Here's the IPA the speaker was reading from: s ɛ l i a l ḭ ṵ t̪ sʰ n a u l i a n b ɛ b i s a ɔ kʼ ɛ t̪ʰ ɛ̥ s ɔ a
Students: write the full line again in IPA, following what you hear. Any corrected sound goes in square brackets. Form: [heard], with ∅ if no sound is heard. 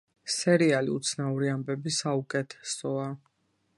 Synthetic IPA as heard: s ɛ [ɾ] i a l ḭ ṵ t̪ sʰ n a u [ɾ] i a [m] b ɛ b i s a [u] kʼ ɛ t̪ʰ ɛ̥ s ɔ a